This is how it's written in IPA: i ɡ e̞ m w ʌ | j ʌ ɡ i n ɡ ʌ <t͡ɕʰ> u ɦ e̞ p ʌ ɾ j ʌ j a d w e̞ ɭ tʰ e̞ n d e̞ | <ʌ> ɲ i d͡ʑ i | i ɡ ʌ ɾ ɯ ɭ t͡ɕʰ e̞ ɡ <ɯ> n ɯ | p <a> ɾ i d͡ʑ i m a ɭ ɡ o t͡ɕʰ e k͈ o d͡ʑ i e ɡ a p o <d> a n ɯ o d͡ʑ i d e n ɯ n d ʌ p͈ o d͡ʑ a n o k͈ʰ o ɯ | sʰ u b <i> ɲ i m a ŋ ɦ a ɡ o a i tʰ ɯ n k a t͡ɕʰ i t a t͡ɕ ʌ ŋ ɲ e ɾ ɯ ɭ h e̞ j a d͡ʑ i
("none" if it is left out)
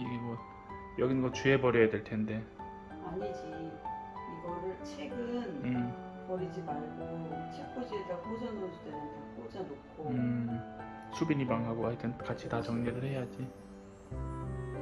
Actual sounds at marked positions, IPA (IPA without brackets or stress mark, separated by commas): t͡ɕ, a, ɯ, ʌ, d͡ʑ, i